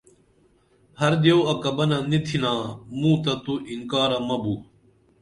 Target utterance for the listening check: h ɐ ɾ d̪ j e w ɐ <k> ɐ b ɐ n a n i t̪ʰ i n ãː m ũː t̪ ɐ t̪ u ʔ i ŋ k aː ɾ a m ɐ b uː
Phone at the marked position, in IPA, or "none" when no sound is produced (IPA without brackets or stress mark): k